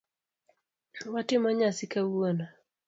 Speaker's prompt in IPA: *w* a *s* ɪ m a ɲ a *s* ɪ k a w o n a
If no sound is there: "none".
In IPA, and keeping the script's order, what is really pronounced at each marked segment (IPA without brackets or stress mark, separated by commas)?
w, t, s